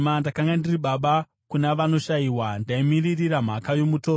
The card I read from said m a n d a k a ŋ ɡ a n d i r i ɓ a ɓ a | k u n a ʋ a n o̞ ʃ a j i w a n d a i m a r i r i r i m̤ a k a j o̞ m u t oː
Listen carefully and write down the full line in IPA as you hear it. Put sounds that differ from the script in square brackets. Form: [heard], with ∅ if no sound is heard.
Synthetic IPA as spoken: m a n d a k a ŋ ɡ a n d i r i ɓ a ɓ a | k u n a ʋ a n o̞ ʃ a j i w a n d a i m [i] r i r i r [a] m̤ a k a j o̞ m u t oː